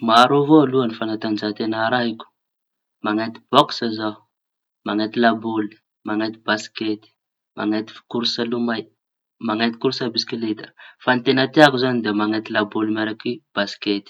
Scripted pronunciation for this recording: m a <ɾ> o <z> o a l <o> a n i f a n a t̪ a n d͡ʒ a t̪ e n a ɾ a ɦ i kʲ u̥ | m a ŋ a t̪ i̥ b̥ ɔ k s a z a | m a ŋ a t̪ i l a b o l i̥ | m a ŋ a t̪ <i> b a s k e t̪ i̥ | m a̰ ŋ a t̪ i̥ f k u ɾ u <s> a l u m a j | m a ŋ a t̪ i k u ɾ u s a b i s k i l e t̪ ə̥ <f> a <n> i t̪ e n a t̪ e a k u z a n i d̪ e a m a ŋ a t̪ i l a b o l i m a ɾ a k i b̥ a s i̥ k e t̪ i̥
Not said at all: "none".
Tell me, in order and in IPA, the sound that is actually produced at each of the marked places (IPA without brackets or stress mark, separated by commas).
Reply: ɾ, v, u, i, s, f, n